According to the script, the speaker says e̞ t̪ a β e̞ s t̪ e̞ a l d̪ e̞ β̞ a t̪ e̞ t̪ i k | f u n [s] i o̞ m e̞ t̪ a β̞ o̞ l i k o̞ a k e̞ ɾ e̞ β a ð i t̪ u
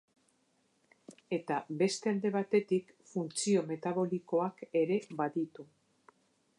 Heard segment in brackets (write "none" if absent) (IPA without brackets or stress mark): t͡s